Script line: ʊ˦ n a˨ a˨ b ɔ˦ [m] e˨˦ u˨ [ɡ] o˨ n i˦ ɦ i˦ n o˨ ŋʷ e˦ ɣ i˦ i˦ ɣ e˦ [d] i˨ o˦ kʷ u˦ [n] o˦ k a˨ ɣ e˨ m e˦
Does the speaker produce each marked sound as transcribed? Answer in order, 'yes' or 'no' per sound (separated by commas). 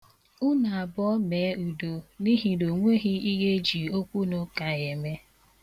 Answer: yes, no, no, yes